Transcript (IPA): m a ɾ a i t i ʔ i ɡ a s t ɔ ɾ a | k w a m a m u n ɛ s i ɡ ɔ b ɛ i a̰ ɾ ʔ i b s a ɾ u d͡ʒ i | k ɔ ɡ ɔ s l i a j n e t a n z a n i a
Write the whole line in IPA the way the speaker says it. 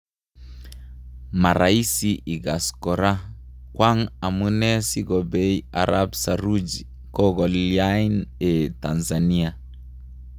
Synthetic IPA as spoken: m a ɾ a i s i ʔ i ɡ a s k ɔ ɾ a | k w a ŋ a m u n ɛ s i ɡ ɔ b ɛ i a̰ ɾ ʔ a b s a ɾ u d͡ʒ i | k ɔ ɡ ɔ l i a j n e t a n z a n i a